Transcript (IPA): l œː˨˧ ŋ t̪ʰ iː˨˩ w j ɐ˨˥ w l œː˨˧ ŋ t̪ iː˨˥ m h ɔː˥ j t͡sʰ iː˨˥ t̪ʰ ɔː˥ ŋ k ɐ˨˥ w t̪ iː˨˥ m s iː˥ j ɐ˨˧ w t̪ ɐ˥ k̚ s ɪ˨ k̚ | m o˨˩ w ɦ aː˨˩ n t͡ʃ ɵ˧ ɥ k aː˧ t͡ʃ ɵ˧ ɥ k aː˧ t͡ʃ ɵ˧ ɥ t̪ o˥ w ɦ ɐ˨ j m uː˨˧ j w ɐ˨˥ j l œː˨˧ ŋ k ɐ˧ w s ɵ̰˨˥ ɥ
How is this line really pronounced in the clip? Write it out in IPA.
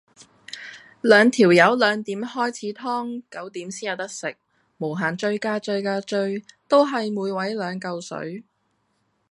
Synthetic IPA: l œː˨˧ ŋ t̪ʰ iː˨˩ w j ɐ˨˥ w l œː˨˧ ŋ t̪ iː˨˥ m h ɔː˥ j t͡sʰ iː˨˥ t̪ʰ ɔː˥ ŋ k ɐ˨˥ w t̪ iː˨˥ m s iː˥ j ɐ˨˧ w t̪ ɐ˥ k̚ s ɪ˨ k̚ | m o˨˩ w ɦ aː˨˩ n t͡ʃ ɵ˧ ɥ k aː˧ t͡ʃ ɵ˧ ɥ k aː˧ t͡ʃ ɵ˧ ɥ t̪ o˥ w ɦ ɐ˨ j m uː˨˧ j w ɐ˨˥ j l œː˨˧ ŋ k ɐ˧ w s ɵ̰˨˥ ɥ